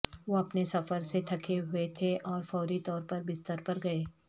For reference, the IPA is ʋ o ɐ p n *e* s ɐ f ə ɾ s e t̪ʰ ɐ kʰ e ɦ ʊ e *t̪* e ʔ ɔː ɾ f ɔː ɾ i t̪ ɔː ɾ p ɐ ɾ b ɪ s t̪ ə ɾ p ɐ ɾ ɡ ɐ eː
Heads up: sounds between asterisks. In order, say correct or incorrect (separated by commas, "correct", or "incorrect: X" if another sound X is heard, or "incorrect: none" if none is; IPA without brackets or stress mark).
correct, incorrect: t̪ʰ